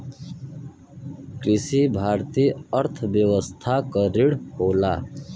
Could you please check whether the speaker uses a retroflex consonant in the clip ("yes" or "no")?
yes